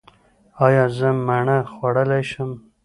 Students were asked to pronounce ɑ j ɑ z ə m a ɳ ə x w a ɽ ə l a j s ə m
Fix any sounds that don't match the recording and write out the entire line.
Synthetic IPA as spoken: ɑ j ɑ z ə m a ɳ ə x w a ɽ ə l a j ʃ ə m